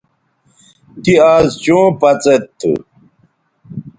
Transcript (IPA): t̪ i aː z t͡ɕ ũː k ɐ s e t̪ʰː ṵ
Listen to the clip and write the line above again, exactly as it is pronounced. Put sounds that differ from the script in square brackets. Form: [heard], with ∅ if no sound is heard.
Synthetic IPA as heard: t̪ i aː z t͡ɕ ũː [p] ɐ [t͡s] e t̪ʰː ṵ